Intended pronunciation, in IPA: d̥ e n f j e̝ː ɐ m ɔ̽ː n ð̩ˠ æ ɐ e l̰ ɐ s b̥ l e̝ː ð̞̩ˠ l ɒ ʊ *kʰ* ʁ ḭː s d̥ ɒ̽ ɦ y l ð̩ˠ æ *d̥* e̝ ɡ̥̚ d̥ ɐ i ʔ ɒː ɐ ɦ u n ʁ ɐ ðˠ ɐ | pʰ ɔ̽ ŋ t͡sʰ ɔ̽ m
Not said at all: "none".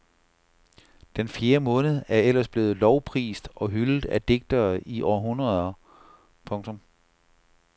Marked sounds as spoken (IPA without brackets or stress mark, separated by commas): pʰ, d̥